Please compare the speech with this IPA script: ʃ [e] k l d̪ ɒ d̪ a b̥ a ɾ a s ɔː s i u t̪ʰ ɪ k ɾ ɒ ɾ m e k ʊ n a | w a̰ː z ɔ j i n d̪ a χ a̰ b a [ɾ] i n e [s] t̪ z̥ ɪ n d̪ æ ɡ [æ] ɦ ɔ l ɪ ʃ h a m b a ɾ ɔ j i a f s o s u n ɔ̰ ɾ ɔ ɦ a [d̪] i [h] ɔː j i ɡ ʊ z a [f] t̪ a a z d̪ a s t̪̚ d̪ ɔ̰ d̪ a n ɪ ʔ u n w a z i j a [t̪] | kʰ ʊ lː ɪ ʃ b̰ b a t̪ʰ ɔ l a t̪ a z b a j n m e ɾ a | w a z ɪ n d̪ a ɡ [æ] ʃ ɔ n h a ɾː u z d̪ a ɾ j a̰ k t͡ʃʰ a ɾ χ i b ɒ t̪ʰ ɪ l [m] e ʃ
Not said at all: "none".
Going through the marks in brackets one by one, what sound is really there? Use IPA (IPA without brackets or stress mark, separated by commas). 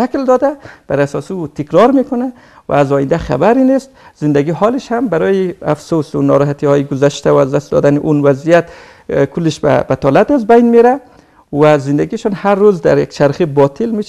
a, ɾ, s, i, t̪, h, ʃ, t̪, i, m